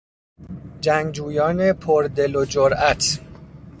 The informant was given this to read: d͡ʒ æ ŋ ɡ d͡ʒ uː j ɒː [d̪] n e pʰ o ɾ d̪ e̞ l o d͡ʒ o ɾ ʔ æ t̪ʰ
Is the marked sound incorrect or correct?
incorrect: none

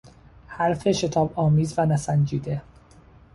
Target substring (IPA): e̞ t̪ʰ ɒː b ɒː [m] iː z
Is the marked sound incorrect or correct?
correct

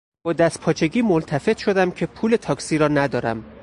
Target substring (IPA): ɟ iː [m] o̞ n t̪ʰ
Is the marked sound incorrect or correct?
correct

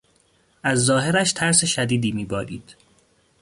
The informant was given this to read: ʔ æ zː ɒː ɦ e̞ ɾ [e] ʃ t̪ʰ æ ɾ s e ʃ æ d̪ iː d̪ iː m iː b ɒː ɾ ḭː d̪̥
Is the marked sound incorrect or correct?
incorrect: æ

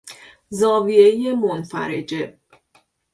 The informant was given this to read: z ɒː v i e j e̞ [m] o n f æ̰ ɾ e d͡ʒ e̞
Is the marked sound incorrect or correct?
correct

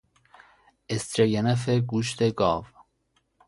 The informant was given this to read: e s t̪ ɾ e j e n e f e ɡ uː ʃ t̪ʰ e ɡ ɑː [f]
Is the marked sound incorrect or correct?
incorrect: v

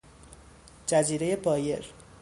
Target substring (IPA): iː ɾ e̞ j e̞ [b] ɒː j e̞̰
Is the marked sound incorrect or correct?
correct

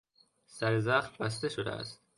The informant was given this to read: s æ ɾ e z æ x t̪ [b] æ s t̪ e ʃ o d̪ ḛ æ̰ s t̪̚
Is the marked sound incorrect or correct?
correct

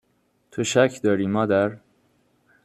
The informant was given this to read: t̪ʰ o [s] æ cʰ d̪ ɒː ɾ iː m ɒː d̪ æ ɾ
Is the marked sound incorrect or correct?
incorrect: ʃ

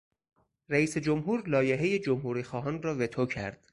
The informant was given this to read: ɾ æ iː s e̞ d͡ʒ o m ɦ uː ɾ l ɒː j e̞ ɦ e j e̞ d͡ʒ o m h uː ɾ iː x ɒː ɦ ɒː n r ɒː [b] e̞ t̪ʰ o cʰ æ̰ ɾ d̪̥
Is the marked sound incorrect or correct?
incorrect: v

